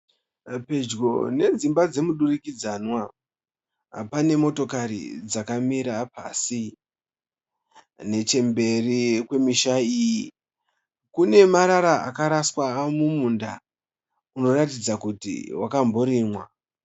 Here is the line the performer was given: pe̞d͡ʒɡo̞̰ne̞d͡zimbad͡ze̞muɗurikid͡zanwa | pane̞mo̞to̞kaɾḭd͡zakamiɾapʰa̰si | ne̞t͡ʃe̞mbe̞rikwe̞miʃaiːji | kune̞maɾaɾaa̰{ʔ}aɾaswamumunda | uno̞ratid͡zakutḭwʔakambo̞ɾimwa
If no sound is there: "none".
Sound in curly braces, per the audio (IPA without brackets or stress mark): k